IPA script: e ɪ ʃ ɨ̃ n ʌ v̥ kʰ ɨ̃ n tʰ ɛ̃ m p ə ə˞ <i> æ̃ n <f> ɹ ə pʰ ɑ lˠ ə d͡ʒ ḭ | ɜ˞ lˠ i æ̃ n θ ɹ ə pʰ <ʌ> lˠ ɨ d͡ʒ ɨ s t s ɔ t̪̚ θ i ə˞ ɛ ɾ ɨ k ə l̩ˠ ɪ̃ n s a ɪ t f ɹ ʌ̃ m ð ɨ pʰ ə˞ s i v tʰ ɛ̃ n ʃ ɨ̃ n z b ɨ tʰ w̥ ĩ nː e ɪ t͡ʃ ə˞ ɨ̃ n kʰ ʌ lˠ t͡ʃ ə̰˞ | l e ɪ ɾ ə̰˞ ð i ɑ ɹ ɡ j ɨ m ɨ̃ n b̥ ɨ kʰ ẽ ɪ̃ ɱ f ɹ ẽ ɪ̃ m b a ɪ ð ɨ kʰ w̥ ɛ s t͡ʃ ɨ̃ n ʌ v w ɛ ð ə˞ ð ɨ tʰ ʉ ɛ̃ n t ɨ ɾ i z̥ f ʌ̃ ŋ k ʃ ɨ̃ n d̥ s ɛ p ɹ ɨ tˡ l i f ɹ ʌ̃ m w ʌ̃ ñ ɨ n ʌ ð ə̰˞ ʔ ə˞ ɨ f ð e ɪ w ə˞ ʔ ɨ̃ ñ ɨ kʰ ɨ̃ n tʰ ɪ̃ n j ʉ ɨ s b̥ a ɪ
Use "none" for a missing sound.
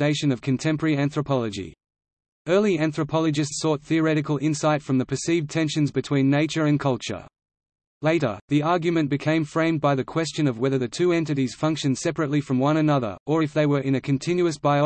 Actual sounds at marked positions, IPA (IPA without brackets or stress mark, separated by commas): i, θ, ɑ